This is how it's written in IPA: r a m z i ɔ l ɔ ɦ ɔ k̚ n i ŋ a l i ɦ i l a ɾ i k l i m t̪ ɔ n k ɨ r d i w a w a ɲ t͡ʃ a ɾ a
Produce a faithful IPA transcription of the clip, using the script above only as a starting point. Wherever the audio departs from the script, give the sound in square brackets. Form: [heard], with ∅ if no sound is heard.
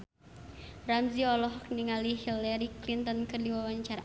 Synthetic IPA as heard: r a m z i ɔ l ɔ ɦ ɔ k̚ n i ŋ a l i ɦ i l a ɾ i k l i [n] t̪ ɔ n k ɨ r d i w a w a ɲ t͡ʃ a ɾ a